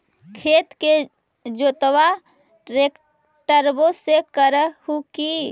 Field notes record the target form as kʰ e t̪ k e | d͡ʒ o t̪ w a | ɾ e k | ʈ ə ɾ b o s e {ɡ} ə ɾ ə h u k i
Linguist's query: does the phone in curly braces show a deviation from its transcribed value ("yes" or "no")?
yes